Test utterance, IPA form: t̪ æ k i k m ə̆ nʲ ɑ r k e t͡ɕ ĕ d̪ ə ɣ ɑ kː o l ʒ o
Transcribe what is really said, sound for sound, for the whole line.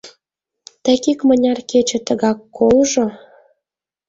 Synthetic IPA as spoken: t̪ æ k i k m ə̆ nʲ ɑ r k e t͡ɕ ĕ t̪ ə ɣ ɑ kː o l ʒ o